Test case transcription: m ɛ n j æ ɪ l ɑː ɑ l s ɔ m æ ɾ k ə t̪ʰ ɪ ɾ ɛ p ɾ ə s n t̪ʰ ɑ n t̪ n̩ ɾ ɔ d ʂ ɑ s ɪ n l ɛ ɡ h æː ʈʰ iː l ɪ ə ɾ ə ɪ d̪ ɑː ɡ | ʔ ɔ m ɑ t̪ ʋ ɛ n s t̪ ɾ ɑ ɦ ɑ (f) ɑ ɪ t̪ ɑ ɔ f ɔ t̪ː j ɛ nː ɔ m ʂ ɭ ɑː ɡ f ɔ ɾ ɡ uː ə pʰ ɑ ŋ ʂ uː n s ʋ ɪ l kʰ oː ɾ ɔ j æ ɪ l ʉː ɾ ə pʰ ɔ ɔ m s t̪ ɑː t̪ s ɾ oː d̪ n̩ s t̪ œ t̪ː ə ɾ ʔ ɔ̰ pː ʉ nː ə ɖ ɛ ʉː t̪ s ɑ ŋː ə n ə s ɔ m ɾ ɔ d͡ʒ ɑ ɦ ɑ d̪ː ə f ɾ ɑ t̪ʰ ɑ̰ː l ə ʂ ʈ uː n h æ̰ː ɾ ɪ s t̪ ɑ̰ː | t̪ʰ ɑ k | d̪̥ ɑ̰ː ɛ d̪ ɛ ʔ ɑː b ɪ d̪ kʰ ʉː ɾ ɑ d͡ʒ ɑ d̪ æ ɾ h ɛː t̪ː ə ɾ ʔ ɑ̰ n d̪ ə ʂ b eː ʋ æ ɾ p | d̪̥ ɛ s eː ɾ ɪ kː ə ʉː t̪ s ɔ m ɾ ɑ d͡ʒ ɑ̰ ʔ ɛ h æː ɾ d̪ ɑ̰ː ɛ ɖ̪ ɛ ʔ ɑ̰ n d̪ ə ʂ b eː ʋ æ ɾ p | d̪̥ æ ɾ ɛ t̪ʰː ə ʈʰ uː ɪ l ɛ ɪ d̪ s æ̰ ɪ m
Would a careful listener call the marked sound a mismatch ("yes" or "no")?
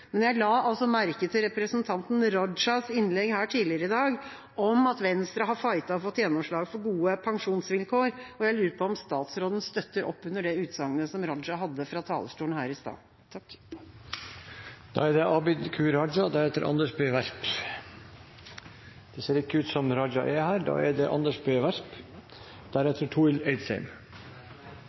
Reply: no